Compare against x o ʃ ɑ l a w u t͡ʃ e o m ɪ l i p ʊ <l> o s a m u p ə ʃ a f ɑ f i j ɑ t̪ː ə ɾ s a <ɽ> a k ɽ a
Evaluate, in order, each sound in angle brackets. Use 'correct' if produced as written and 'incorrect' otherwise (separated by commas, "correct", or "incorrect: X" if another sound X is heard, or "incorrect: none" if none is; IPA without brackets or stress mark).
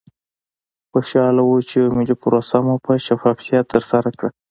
incorrect: ɾ, incorrect: ɾ